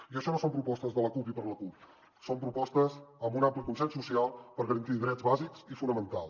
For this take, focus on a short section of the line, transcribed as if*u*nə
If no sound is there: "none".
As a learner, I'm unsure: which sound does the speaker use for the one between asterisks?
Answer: u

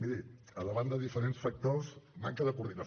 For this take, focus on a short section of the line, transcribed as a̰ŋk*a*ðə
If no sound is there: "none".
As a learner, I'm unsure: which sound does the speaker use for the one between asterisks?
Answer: ə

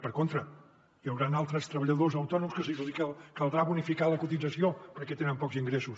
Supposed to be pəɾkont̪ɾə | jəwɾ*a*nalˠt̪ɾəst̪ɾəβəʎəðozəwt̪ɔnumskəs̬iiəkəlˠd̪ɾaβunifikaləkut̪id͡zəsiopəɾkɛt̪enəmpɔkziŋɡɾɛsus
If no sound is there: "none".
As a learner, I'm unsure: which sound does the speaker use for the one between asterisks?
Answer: a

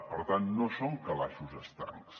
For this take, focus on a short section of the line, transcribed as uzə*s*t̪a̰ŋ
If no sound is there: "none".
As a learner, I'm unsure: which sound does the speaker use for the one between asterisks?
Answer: s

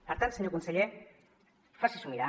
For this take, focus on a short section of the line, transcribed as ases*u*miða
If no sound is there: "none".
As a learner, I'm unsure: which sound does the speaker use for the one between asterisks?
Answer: u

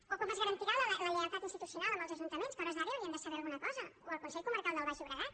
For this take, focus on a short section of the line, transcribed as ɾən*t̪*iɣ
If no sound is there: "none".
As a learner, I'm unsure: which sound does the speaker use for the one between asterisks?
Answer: t̪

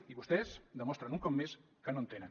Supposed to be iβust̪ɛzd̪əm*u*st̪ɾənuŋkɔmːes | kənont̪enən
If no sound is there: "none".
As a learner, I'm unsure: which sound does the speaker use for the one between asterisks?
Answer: ɔ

